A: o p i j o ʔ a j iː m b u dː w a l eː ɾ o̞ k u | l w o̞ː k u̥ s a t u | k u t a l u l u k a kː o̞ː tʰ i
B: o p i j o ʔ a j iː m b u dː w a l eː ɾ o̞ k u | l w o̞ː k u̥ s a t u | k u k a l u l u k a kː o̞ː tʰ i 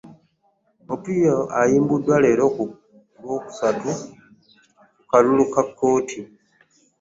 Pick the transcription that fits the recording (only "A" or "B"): B